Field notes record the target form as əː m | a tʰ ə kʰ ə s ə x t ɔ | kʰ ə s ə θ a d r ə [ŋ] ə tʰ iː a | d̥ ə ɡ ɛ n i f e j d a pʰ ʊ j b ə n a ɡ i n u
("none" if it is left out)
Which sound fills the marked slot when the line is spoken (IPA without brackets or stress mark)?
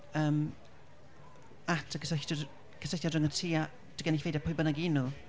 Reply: ŋ